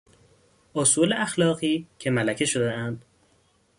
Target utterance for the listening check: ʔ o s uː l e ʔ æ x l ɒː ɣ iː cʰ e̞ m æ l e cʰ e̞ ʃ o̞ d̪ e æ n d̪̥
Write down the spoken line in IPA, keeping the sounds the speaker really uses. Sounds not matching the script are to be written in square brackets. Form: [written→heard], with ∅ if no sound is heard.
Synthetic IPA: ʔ o s uː l e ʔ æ x l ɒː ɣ iː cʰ e̞ m æ l [e→æ] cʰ e̞ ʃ o̞ d̪ e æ n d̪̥